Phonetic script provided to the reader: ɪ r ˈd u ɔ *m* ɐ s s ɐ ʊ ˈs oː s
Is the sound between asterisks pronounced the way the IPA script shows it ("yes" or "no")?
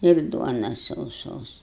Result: no